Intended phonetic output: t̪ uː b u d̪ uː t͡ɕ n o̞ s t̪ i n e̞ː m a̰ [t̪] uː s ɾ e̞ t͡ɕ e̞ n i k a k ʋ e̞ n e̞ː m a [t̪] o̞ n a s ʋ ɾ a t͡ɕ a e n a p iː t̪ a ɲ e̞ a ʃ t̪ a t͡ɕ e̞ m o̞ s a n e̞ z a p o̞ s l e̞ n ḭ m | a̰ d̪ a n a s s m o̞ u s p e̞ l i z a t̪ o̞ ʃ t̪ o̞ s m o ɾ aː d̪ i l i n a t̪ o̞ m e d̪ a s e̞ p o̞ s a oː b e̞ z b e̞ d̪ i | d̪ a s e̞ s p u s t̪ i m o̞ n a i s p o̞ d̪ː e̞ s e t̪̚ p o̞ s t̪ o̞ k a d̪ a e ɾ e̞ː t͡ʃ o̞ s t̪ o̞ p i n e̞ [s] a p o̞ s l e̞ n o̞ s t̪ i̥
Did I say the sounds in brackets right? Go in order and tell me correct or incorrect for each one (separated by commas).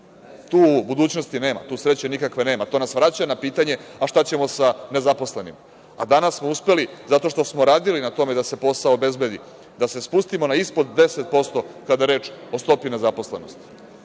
correct, correct, incorrect